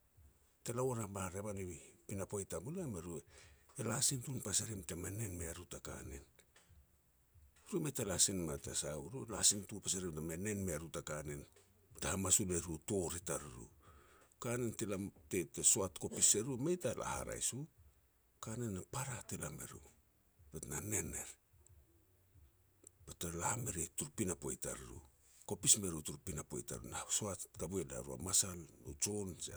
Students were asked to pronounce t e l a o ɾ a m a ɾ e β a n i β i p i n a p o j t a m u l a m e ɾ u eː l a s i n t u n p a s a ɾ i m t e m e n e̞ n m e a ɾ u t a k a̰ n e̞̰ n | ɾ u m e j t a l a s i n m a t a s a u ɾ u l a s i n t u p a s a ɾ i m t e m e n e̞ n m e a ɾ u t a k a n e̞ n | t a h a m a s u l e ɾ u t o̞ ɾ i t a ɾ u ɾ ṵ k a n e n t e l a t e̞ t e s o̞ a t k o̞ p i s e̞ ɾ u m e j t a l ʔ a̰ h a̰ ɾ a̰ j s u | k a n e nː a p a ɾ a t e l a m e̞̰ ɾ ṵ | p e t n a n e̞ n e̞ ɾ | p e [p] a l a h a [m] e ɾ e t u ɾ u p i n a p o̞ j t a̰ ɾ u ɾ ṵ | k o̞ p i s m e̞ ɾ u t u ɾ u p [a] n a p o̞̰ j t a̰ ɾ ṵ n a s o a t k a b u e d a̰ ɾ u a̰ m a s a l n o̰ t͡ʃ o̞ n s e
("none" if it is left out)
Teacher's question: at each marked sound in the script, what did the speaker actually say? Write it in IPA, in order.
t, m, i

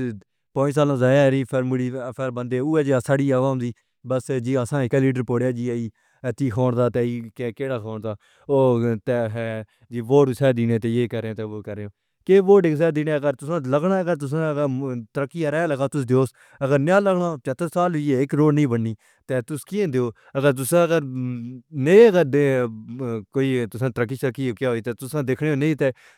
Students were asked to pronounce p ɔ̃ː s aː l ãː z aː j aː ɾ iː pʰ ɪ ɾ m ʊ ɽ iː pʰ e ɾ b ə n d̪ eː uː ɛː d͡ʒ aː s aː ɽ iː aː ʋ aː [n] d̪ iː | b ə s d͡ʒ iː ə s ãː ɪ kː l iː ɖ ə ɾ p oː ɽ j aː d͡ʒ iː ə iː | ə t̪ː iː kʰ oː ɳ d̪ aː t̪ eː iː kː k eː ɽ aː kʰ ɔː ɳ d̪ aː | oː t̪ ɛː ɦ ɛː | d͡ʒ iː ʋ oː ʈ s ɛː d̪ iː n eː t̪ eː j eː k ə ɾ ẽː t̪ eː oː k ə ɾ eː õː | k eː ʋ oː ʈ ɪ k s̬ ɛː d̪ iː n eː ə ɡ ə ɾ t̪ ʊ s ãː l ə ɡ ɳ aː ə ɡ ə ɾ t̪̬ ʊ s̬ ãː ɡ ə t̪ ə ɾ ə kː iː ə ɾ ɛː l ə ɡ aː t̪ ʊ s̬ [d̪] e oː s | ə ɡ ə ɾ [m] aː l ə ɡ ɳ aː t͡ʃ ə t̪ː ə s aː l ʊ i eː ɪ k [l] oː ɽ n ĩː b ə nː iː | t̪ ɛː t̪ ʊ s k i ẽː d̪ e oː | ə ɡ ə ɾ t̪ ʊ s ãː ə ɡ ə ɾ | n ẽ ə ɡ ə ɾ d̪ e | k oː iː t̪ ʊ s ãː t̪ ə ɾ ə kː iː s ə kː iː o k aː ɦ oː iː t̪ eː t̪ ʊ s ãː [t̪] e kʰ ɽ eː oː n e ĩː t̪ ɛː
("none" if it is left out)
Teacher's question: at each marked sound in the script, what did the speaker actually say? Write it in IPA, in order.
m, d̪, n, ɾ, d̪

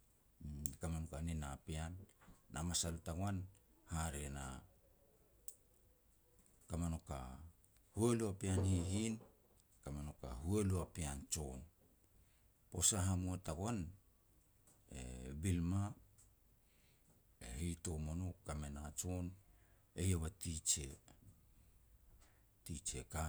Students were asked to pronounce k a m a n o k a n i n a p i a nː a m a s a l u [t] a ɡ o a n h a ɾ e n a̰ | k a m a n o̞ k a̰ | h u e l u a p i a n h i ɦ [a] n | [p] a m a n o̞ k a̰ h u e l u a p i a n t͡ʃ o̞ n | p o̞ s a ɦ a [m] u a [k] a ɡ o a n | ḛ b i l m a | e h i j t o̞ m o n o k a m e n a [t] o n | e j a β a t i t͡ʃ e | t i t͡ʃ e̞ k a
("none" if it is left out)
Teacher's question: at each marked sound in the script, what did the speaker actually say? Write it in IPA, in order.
t, i, k, m, t, t͡ʃ

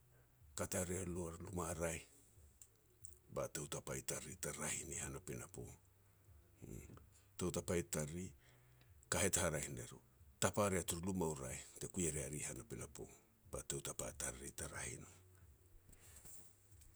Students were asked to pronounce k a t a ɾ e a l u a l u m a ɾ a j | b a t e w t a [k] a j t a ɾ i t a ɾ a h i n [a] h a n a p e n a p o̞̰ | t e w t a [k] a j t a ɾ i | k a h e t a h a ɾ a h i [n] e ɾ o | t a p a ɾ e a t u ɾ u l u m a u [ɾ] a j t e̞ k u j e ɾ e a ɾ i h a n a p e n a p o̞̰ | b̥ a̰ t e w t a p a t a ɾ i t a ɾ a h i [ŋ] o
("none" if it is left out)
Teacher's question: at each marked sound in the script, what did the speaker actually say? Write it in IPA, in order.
p, i, p, n, ɾ, n

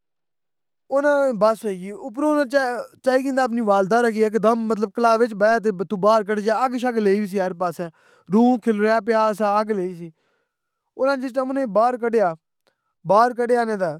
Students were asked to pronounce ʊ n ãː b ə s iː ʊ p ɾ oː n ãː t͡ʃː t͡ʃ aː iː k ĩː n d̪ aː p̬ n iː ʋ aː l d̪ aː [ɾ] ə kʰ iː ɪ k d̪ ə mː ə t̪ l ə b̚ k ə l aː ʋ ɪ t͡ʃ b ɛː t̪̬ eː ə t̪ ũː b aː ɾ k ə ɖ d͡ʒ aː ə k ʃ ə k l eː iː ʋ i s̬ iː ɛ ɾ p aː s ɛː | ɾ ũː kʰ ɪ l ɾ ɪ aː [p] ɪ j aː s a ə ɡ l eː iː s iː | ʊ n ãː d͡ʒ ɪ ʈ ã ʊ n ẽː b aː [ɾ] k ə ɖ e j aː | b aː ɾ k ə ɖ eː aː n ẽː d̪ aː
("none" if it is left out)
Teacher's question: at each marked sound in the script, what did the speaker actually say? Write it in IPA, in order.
ɾ, p, ɾ

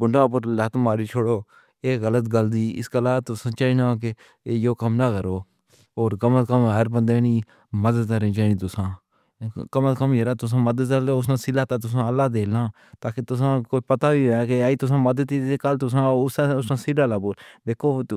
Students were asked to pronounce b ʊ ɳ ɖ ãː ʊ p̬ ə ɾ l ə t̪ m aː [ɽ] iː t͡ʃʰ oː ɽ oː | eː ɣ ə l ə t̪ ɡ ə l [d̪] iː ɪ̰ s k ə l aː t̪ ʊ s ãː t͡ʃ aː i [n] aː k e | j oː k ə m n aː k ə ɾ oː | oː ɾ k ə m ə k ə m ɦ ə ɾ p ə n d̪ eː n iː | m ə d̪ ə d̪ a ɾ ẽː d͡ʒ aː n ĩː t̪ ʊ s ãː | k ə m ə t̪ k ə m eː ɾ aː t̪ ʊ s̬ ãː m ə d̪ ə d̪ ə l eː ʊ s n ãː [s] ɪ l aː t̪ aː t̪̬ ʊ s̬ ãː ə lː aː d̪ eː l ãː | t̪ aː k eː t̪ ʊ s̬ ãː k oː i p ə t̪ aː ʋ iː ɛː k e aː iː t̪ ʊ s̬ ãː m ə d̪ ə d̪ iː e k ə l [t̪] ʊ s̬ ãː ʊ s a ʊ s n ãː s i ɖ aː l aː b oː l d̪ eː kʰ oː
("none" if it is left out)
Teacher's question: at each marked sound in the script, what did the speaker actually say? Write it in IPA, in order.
ɾ, d̪, n, s, t̪

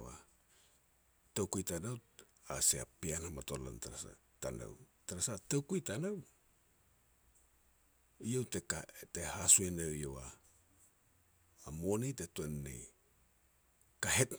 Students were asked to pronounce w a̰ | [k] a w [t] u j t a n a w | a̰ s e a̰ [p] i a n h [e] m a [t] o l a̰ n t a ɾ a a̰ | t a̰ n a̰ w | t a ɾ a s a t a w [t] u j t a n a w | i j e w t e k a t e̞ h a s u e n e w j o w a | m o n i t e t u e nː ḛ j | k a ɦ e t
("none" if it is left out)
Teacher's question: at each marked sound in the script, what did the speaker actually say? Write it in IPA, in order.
t, k, p, a, t, k

